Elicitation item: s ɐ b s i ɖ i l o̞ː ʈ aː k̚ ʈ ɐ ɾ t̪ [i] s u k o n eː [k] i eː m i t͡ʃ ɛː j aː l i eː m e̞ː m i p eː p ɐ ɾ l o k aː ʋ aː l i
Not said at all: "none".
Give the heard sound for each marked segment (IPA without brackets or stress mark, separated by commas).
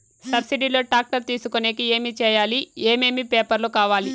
iː, k